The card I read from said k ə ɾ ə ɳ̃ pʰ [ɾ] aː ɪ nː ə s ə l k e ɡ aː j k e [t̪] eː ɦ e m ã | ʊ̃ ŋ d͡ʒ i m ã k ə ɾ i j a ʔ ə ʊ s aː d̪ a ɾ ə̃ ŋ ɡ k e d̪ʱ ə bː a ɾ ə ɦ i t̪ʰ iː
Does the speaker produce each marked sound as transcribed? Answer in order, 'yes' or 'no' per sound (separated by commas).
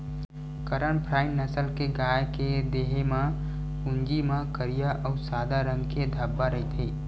yes, no